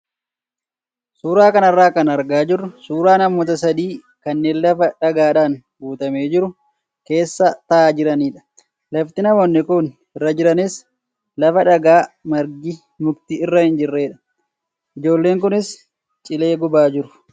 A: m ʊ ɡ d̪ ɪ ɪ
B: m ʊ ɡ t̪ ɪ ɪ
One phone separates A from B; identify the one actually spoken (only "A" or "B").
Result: B